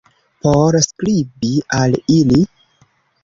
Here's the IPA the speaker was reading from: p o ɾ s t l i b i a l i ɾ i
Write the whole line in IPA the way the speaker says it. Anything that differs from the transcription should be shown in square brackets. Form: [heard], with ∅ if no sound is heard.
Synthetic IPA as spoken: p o ɾ s [k] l i b i a l i [l] i